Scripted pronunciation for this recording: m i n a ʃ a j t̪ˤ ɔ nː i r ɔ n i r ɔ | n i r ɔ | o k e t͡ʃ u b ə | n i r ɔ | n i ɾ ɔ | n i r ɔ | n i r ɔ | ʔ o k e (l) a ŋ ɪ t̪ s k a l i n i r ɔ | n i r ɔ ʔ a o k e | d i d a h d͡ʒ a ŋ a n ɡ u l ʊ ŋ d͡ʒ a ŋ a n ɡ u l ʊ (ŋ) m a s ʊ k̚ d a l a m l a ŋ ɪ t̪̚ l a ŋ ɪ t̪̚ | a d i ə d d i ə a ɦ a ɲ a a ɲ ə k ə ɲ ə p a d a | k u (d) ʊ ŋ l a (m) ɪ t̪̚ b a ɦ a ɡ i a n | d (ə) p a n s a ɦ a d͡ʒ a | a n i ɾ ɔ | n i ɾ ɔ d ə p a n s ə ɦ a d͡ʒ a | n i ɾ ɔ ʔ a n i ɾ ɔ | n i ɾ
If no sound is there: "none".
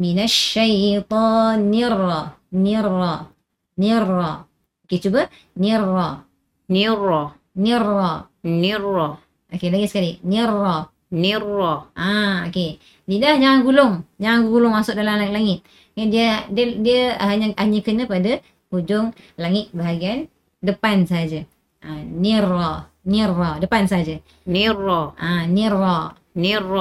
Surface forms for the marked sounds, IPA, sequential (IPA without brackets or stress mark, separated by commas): l, ŋ, d͡ʒ, ŋ, ə